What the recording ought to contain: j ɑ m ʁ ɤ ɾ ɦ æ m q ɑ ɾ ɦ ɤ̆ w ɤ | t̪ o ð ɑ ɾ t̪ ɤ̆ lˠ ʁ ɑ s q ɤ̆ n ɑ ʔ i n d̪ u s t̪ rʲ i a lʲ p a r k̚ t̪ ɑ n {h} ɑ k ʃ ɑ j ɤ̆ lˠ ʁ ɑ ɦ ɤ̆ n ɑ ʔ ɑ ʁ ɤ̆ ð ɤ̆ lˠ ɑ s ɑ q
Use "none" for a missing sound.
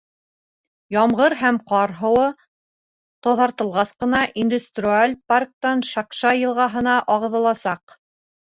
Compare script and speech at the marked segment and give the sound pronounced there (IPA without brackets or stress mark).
ʃ